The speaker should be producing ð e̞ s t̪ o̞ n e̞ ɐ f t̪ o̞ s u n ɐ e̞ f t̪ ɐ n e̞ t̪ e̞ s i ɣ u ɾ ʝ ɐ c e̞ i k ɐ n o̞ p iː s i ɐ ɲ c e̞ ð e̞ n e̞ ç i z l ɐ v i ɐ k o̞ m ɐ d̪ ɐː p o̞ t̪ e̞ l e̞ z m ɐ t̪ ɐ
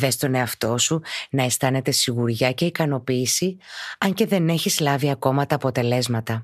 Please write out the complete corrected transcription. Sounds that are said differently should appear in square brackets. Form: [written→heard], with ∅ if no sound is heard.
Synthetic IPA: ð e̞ s t̪ o̞ n e̞ ɐ f t̪ o̞ s u n ɐ e̞ [f→s] t̪ ɐ n e̞ t̪ e̞ s i ɣ u ɾ ʝ ɐ c e̞ i k ɐ n o̞ p iː s i ɐ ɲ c e̞ ð e̞ n e̞ ç i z l ɐ v i ɐ k o̞ m ɐ [d̪→t̪] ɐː p o̞ t̪ e̞ l e̞ z m ɐ t̪ ɐ